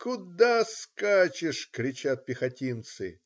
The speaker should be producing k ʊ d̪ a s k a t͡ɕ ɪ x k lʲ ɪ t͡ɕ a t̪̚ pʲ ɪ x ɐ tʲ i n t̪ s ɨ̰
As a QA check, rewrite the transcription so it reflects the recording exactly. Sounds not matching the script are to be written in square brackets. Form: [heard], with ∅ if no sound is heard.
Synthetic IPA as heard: k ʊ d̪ a s k a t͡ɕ ɪ [ʂ] k [ɾʲ] ɪ t͡ɕ a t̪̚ pʲ ɪ x ɐ tʲ i n t̪ s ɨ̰